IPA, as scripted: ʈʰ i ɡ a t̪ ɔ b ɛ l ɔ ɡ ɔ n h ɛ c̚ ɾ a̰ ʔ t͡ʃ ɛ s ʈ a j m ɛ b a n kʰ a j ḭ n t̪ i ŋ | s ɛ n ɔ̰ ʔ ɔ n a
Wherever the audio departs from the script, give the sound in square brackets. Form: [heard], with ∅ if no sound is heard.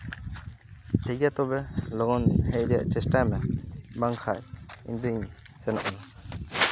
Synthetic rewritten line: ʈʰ i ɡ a t̪ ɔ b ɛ l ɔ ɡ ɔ n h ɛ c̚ ɾ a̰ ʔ t͡ʃ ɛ s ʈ a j m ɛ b a [ŋ] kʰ a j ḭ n [d̪] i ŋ | s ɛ n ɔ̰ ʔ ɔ n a